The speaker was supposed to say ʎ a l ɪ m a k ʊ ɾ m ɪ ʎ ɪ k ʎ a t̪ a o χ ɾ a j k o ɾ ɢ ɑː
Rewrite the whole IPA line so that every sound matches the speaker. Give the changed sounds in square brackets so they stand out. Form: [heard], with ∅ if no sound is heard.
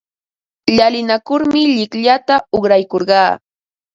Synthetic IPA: ʎ a l ɪ [n] a k ʊ ɾ m ɪ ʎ ɪ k ʎ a t̪ a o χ ɾ a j k o ɾ ɢ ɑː